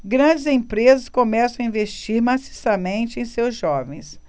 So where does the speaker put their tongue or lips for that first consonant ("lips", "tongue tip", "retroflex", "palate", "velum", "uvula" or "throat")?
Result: velum